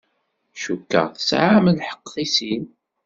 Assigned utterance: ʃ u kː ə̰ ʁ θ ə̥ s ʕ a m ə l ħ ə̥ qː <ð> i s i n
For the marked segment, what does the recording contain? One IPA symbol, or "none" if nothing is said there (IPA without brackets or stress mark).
θ